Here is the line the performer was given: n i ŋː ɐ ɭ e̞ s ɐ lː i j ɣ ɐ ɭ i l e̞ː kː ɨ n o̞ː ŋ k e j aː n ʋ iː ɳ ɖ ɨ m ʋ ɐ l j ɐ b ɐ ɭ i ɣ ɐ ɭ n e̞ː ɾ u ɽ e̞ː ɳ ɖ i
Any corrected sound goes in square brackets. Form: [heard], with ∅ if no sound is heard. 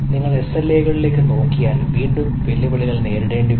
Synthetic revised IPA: n i ŋː ɐ ɭ e̞ s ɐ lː [e] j ɣ ɐ ɭ i l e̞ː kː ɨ n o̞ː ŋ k [i] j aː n ʋ iː ɳ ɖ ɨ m ʋ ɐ l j ɐ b ɐ ɭ i ɣ ɐ ɭ n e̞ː ɾ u ɽ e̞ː ɳ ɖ i